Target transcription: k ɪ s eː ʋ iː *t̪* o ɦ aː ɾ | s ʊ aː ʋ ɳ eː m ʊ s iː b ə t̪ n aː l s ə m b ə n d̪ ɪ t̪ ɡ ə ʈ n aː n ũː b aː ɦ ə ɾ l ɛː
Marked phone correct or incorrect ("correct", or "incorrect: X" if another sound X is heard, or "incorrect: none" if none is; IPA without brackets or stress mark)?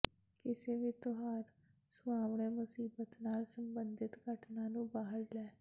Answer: correct